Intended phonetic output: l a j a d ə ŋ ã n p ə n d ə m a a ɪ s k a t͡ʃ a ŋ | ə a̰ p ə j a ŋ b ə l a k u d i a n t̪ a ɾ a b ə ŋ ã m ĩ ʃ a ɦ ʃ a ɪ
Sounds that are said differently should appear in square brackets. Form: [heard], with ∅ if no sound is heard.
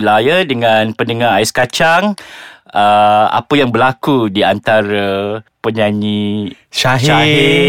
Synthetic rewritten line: l a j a d ə ŋ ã n p ə n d ə [ŋ] a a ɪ s k a t͡ʃ a ŋ | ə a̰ p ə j a ŋ b ə l a k u d i a n t̪ a ɾ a [p] ə [ɲ] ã [ɲ] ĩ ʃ a ɦ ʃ a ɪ